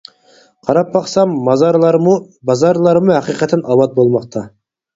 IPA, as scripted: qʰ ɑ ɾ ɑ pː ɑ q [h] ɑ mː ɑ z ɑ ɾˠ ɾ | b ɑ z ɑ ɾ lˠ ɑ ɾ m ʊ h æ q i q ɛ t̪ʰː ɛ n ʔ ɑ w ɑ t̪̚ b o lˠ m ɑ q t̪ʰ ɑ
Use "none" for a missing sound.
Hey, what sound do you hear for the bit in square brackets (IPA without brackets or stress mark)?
s